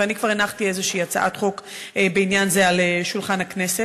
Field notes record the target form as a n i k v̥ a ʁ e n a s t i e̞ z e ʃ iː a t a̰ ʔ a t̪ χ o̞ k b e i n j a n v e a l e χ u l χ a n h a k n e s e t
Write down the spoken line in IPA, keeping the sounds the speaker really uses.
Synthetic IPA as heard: a n i k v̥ a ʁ e n a χ t i e̞ z e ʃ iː a t͡s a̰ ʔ a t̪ χ o̞ k b e i n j a n z e a l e ʃ u l χ a n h a k n e s e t